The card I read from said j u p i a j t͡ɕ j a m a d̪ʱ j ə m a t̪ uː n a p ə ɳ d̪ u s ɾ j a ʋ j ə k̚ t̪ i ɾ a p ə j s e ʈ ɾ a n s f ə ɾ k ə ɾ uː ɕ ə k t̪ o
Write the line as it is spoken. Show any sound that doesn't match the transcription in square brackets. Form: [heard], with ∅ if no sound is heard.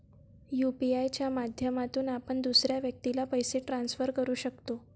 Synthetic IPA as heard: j u p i a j t͡ɕ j a m a d̪ʱ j ə m a t̪ uː n a p ə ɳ d̪ u s ɾ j a ʋ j ə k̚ t̪ i [l] a p ə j s e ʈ ɾ a n s f ə ɾ k ə ɾ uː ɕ ə k t̪ o